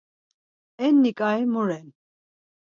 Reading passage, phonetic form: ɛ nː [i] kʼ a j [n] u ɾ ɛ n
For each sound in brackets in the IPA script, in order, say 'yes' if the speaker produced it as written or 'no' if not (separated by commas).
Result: yes, no